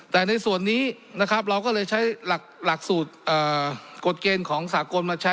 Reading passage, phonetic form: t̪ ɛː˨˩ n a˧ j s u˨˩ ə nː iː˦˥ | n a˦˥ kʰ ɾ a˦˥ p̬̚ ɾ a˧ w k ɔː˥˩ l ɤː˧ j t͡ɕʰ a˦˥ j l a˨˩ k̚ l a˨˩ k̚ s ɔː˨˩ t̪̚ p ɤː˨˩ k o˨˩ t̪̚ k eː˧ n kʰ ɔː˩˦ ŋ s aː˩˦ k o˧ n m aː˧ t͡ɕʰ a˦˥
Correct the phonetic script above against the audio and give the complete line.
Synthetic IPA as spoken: t̪ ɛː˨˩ n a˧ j s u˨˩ ə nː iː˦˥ | n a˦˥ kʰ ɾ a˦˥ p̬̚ ɾ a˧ w k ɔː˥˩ l ɤː˧ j t͡ɕʰ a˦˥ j l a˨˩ k̚ l a˨˩ k̚ s uː˨˩ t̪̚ ʔ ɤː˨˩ k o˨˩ t̪̚ k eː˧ n kʰ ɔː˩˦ ŋ s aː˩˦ k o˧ n m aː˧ t͡ɕʰ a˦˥